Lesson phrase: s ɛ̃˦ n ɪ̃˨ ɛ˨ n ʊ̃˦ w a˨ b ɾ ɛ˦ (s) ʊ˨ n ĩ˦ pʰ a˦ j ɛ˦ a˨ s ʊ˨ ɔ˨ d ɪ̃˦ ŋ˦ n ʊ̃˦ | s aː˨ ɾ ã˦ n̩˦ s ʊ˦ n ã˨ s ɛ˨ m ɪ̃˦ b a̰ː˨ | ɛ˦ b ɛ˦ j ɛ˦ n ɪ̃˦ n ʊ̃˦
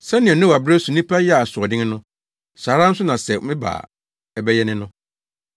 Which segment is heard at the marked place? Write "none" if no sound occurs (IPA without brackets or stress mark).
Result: s